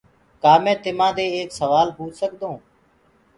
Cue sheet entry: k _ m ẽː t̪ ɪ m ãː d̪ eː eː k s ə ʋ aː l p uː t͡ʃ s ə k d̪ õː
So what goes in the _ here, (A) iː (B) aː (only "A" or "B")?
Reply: B